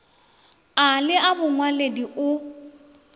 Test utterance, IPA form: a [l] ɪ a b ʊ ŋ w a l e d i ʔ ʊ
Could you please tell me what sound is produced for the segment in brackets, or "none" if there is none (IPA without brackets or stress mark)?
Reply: l